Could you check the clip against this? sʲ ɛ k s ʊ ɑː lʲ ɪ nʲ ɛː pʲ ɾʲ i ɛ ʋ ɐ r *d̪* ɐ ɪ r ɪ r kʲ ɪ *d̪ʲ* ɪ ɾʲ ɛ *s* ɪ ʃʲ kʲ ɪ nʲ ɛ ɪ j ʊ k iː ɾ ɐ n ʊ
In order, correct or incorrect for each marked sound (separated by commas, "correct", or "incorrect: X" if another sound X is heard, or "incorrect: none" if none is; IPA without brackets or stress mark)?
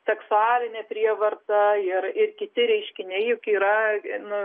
incorrect: t̪, incorrect: t̪ʲ, incorrect: none